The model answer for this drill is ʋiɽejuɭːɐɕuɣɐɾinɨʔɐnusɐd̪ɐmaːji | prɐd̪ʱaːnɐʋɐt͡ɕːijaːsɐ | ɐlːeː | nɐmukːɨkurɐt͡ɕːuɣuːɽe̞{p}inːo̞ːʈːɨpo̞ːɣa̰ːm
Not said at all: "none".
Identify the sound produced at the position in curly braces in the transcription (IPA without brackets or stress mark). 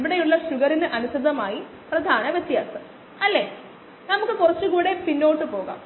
p